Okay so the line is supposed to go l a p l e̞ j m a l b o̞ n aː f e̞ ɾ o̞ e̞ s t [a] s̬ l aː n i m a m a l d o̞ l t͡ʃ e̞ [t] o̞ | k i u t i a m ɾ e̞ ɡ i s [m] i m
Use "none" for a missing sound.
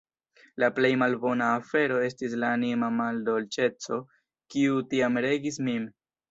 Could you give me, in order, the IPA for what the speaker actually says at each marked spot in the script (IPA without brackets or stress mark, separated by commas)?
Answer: i, t͡s, m